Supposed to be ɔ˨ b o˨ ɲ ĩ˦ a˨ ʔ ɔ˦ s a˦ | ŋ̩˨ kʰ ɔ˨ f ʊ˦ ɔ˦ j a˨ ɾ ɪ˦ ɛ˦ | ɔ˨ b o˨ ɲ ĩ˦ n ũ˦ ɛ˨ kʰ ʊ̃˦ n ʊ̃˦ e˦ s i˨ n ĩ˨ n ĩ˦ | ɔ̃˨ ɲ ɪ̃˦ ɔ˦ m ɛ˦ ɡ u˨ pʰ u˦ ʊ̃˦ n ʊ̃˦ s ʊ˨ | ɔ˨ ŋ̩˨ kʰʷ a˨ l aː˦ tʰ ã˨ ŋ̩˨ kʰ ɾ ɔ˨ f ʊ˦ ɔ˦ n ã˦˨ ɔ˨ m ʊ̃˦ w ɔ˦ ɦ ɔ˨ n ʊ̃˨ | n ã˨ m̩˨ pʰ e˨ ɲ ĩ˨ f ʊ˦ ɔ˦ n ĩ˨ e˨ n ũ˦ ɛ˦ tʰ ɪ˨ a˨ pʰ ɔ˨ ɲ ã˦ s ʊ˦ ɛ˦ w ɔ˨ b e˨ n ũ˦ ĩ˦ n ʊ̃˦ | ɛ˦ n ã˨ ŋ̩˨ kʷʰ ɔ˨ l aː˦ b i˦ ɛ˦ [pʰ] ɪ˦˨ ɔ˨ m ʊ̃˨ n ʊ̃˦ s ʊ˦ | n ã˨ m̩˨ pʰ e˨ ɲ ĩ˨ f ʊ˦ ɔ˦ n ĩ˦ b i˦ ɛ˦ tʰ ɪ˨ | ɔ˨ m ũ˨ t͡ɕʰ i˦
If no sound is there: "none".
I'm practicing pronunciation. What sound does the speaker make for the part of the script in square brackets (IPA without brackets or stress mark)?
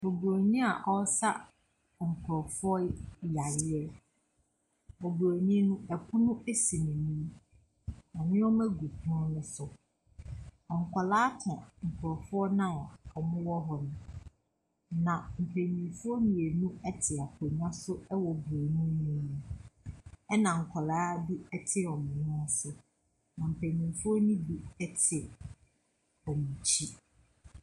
tʰ